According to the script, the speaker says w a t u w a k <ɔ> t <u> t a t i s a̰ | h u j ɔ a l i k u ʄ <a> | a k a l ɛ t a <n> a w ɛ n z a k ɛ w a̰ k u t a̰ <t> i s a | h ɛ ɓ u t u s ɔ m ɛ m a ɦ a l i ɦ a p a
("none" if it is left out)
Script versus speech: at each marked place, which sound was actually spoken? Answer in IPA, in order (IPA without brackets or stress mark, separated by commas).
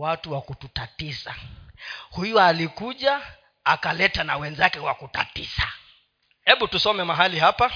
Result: u, u, a, n, t